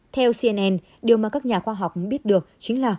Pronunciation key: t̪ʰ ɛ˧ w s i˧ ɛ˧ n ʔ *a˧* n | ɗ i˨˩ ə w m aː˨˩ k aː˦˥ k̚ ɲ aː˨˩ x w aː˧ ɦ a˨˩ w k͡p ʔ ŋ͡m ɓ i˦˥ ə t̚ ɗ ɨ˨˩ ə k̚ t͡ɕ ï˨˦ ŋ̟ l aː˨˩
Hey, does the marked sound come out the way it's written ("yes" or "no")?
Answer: no